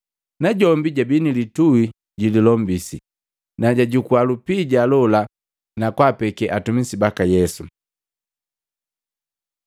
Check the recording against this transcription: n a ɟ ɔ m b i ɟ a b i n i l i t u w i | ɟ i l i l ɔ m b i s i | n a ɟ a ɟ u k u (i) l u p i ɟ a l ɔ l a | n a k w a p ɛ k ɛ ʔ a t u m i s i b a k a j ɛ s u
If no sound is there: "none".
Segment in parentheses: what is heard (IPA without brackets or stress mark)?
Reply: a